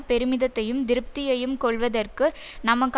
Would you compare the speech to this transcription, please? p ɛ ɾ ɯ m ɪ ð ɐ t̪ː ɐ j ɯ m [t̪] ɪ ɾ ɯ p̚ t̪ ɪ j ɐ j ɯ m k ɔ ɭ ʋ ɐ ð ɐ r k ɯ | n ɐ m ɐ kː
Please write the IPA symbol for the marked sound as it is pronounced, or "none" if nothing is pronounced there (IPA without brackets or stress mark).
d̪